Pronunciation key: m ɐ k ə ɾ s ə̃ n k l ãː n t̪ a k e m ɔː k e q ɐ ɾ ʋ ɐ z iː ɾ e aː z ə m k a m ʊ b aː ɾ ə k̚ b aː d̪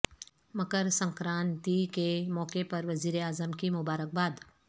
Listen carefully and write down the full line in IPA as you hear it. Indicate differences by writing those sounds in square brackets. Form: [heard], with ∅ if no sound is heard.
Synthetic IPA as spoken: m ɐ k ə ɾ s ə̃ [ŋ] k [ɾ] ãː n t̪ [i] k e m ɔː k e [p] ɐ ɾ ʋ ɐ z iː ɾ e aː z ə m k [i] m ʊ b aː ɾ ə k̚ b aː d̪